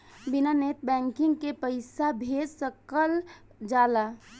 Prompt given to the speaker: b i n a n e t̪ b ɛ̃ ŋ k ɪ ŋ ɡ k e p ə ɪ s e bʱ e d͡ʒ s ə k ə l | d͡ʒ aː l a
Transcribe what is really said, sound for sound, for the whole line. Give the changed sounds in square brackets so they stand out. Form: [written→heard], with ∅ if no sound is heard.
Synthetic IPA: b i n a n e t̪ b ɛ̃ ŋ k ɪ ŋ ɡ k e p ə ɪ s [e→a] bʱ e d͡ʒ s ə k ə l | d͡ʒ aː l a